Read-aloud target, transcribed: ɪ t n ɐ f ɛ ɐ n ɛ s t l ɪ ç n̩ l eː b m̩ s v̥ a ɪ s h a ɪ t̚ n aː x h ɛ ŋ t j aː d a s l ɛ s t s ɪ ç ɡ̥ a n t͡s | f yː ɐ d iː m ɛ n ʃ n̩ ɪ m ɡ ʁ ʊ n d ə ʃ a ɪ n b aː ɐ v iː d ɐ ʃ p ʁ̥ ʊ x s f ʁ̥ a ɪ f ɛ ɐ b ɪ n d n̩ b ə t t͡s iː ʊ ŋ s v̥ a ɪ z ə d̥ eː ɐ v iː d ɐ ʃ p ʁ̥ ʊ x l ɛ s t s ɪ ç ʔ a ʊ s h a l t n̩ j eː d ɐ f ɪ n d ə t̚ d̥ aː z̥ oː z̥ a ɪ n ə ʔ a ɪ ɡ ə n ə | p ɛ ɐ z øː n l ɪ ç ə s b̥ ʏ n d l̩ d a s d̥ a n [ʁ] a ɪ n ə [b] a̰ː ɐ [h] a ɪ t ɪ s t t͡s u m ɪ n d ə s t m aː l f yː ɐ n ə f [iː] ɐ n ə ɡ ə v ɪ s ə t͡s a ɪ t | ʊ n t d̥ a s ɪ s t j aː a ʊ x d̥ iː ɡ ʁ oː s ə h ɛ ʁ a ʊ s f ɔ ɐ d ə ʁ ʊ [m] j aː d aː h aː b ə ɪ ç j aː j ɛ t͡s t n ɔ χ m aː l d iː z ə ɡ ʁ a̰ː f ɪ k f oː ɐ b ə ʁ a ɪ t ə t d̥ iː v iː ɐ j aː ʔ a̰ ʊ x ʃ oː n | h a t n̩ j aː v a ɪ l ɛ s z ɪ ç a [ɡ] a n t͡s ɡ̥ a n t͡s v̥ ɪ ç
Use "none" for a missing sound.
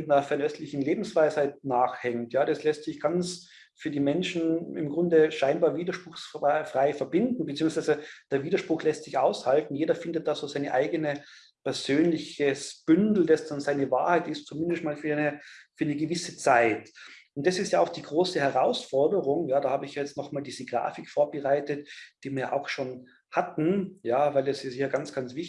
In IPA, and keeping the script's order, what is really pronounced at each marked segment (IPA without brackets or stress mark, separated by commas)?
z, v, h, yː, ŋ, ɡ